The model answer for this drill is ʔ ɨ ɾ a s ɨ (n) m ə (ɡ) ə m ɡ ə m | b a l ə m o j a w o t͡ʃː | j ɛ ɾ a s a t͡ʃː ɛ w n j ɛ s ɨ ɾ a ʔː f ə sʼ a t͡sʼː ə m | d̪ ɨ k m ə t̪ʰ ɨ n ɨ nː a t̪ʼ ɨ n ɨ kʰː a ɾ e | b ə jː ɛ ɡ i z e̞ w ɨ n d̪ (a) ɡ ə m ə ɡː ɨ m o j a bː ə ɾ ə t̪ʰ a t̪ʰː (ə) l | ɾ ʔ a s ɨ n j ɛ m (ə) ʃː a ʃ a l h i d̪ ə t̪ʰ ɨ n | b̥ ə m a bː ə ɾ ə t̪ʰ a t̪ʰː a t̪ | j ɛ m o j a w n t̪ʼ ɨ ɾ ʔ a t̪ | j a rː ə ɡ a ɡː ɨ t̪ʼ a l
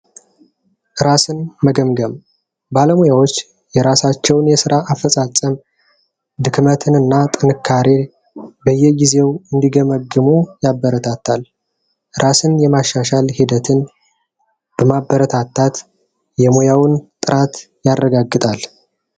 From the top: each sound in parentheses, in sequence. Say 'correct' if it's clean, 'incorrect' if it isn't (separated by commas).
correct, correct, incorrect, incorrect, incorrect